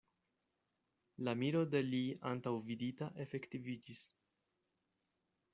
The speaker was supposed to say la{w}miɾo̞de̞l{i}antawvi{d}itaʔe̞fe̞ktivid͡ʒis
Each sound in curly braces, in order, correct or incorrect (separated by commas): incorrect, correct, correct